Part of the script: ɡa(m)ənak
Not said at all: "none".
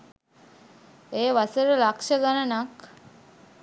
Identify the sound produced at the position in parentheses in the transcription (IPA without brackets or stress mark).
n